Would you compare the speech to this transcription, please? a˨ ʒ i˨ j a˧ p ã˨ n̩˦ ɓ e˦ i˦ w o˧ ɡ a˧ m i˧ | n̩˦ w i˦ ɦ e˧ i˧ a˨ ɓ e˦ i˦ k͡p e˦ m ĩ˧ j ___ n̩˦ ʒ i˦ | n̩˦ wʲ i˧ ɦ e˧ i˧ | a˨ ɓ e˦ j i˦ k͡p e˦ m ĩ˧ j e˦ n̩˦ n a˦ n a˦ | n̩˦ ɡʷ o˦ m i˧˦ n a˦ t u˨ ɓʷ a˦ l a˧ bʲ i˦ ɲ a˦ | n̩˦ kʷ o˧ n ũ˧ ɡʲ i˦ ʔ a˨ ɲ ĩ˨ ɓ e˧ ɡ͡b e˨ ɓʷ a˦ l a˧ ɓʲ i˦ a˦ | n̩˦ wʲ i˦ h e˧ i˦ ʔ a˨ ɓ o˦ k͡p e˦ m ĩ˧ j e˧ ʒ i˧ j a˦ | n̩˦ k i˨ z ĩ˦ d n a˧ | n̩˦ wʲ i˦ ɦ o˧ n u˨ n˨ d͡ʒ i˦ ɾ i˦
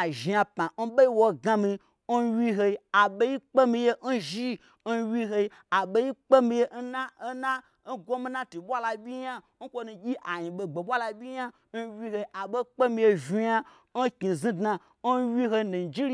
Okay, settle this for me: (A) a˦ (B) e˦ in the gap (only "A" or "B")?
B